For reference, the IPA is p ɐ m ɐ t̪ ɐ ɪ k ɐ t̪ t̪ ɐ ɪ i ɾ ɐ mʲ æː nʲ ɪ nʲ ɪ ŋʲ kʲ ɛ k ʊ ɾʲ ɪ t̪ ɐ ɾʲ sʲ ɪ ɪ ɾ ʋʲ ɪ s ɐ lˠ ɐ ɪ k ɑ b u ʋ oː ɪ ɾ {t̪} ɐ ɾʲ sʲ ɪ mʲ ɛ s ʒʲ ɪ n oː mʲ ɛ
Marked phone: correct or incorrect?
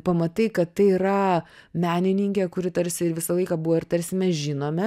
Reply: correct